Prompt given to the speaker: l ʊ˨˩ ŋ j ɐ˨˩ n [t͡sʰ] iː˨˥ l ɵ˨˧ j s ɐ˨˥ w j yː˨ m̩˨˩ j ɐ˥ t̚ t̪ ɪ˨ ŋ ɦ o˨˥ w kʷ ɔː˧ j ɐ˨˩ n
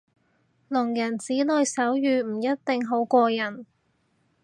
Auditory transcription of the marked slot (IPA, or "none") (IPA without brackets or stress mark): t͡s